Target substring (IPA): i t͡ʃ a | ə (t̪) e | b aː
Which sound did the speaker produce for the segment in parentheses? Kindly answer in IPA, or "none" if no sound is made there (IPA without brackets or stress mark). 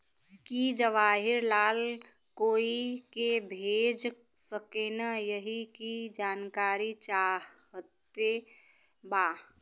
t̪